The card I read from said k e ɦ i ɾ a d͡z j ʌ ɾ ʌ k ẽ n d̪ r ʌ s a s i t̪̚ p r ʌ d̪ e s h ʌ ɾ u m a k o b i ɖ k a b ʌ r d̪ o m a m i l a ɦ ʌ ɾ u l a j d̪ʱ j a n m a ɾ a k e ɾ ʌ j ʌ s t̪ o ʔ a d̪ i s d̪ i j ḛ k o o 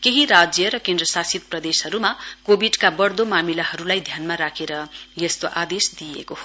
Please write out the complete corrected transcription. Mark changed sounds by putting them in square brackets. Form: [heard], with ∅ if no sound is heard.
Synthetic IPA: k e ɦ i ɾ a d͡z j ʌ ɾ ʌ k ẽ n d̪ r ʌ s a s i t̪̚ p r ʌ d̪ e s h ʌ ɾ u m a k o b i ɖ k a b ʌ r d̪ o m a m i l a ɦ ʌ ɾ u l a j d̪ʱ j a n m a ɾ a [kʰ] e ɾ ʌ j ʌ s t̪ o ʔ a d̪ [e] s d̪ i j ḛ k o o